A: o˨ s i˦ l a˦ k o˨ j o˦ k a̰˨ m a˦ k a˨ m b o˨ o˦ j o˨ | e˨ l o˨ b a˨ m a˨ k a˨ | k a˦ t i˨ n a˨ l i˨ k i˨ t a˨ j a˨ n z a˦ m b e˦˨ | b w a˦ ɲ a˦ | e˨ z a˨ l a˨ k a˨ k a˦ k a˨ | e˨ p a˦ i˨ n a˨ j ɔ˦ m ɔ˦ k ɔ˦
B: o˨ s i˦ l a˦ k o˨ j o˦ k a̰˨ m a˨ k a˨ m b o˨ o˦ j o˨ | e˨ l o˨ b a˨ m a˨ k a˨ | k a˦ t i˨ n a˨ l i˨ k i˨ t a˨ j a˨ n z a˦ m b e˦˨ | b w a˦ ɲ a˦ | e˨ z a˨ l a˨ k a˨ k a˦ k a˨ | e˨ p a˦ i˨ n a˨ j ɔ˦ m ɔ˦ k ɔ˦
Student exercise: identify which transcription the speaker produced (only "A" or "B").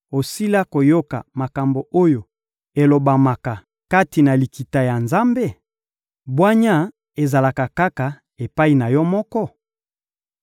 B